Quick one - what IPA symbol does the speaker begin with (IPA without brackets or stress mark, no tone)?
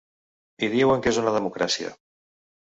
i